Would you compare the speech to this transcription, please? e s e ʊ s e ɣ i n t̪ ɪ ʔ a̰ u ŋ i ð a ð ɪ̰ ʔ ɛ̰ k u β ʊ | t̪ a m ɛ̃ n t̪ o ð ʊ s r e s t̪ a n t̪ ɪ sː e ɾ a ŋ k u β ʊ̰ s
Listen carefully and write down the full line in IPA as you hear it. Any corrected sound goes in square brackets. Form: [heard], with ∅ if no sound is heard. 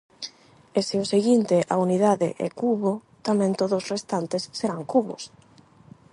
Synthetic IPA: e s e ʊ s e ɣ i n t̪ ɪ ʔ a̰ u [n] i ð a ð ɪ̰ ʔ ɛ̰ k u β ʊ | t̪ a m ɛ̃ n t̪ o ð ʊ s r e s t̪ a n t̪ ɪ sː e ɾ a ŋ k u β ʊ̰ s